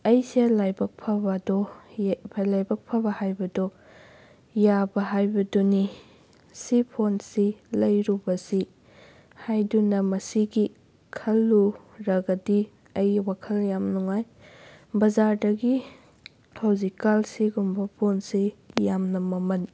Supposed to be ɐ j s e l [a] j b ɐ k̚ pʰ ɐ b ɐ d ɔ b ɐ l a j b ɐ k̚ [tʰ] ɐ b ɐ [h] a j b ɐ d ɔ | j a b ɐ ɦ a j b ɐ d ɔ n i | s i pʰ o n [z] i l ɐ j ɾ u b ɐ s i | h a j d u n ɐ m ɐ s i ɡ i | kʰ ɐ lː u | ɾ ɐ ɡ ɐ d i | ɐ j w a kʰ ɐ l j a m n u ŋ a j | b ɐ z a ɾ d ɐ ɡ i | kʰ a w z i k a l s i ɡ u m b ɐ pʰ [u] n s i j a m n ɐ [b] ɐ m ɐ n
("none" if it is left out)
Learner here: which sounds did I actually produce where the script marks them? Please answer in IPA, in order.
a, pʰ, h, s, o, m

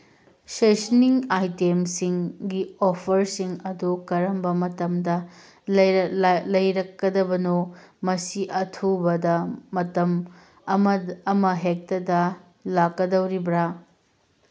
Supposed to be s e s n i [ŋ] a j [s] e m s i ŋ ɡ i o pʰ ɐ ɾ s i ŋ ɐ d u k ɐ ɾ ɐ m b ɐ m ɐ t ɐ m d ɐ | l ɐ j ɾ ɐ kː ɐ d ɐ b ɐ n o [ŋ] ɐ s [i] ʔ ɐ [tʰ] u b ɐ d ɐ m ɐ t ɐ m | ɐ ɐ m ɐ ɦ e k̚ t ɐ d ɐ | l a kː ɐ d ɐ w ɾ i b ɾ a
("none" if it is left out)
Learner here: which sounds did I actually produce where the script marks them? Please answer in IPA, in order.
ŋ, t, m, i, tʰ

